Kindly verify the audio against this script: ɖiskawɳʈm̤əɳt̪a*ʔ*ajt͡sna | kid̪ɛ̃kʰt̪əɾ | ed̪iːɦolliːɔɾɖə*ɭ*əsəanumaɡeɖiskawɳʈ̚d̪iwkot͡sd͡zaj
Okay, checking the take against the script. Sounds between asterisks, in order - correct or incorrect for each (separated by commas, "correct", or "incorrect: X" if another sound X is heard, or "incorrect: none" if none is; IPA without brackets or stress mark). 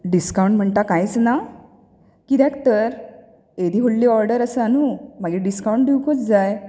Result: incorrect: k, incorrect: ɾ